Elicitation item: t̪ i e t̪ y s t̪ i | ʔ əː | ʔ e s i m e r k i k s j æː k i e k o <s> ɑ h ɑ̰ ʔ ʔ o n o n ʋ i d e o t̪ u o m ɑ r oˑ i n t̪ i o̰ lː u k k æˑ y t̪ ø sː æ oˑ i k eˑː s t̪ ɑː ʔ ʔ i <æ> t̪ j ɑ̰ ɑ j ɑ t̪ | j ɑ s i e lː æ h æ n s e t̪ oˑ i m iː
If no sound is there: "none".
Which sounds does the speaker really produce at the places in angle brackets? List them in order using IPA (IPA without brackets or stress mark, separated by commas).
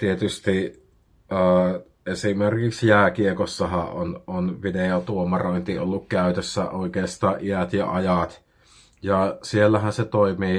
sː, æ